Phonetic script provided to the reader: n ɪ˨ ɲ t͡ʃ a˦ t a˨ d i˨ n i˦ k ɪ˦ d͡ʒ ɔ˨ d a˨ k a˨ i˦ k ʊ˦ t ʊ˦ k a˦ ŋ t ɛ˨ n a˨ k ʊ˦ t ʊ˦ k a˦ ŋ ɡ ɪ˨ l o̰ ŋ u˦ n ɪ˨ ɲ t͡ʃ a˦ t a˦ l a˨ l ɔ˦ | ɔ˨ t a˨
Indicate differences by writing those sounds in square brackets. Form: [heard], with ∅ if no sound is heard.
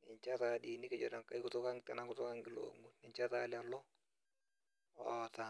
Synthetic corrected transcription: n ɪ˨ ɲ t͡ʃ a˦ t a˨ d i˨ n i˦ k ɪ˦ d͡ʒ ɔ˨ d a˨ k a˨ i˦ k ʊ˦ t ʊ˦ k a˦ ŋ t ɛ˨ n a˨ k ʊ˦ t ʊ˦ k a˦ ŋ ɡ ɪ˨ l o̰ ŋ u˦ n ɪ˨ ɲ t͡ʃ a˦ t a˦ l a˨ l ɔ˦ | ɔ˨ t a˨